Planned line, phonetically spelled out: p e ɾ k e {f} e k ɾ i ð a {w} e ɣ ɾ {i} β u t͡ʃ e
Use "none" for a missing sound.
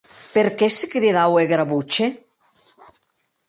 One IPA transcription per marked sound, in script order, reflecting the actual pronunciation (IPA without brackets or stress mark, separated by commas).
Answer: s, w, a